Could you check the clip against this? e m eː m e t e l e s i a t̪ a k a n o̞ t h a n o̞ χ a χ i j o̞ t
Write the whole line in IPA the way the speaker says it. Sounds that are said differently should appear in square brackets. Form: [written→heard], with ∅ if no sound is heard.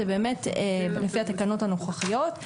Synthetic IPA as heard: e [m→b] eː m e t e l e [s→f] i a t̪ a k a n o̞ t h a n o̞ χ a χ i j o̞ t